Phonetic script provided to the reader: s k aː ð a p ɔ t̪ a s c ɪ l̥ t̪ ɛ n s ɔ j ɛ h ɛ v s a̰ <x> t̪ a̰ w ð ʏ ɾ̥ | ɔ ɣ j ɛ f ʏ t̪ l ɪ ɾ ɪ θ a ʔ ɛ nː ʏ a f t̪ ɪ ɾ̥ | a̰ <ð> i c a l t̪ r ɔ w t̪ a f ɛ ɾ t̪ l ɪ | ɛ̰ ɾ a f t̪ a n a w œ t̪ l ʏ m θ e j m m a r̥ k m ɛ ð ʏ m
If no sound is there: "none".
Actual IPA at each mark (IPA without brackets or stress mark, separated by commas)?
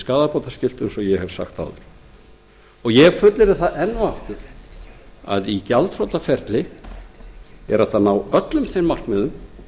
x, ð